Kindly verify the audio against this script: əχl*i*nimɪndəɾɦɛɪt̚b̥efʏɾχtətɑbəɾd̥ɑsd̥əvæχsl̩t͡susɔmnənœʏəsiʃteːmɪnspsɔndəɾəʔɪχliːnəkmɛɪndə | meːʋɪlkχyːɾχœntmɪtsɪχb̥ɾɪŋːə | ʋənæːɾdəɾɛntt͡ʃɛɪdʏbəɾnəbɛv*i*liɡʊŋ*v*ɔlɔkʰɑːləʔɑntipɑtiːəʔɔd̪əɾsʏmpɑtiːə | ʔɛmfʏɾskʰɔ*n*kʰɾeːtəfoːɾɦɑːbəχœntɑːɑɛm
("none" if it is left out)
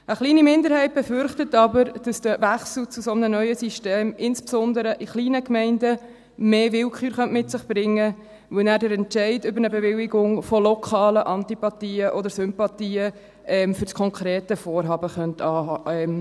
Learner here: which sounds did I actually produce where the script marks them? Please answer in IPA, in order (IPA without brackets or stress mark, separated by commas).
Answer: iː, ɪ, f, ŋ